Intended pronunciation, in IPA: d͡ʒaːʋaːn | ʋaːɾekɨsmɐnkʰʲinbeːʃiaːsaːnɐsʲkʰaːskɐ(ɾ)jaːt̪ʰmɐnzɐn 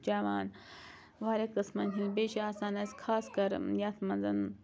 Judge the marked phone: correct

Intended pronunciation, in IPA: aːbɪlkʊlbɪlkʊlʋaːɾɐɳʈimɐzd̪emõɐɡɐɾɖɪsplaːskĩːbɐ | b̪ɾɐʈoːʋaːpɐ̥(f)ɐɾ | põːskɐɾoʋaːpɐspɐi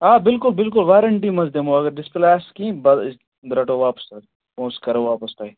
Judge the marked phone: incorrect: s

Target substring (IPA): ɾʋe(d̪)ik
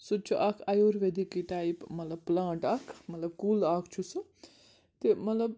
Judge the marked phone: correct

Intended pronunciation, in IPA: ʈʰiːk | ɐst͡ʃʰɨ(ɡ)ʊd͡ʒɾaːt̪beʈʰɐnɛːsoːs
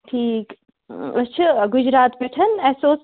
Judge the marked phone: correct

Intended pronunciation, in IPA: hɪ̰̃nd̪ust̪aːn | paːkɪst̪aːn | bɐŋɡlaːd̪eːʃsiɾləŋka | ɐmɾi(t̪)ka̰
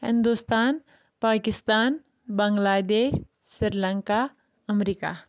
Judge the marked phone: incorrect: none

